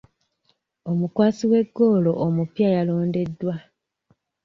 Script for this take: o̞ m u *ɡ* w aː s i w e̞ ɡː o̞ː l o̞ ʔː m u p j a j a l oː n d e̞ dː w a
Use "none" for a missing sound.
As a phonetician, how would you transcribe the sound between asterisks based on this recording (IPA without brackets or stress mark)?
k